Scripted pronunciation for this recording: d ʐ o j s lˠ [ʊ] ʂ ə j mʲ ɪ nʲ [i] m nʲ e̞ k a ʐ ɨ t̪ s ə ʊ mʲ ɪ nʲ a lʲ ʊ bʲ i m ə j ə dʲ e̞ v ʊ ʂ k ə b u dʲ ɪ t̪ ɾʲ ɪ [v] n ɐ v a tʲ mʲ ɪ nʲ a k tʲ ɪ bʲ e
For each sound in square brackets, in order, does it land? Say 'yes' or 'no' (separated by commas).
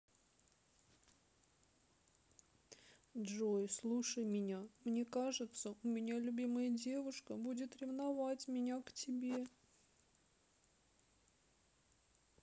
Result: no, no, yes